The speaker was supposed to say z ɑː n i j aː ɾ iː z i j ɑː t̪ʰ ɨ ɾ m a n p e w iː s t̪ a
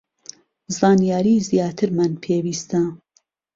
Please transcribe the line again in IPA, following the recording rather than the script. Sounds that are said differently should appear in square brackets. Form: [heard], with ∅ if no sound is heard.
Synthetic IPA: z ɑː n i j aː ɾ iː z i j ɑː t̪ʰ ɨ ɾ m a n [pʰ] e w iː s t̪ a